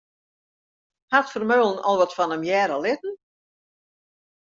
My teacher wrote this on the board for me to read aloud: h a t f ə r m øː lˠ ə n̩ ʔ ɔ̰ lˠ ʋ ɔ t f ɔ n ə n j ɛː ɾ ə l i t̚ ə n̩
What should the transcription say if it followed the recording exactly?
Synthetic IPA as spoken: h a t f ə r m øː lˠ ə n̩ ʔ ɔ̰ lˠ ʋ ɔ t f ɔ n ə m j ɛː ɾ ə l ɪ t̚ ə n̩